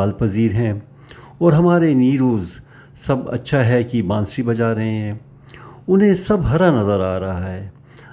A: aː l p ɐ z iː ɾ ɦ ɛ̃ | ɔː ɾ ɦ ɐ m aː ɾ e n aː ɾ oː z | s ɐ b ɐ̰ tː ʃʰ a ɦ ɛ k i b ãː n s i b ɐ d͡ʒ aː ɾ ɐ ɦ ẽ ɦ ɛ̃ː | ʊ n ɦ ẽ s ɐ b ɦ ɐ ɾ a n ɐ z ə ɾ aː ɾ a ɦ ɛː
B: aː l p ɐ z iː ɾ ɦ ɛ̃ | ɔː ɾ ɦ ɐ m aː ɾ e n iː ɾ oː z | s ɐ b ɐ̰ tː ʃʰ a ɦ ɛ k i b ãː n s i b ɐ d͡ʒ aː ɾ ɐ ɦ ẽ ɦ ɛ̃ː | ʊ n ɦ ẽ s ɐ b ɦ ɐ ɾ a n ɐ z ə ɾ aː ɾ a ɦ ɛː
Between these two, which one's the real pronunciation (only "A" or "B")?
B